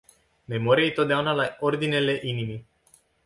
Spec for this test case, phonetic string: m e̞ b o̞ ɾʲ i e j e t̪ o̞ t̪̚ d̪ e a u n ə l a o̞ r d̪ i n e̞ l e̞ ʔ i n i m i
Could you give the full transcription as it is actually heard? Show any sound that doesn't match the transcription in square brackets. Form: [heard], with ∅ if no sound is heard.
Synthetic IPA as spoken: m e̞ [m] o̞ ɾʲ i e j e t̪ o̞ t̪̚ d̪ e a u n [a] l a o̞ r d̪ i n e̞ l e̞ ʔ i n i m i